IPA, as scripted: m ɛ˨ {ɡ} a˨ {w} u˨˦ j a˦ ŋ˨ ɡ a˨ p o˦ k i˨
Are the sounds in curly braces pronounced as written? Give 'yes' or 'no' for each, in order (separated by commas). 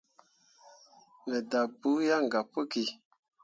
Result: no, no